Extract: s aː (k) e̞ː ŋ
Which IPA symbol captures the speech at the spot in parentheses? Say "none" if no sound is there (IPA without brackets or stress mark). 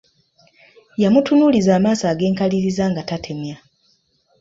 ɡ